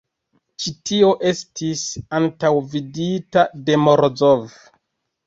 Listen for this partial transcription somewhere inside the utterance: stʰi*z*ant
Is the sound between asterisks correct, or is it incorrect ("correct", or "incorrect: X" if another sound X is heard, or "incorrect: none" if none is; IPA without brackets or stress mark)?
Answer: incorrect: s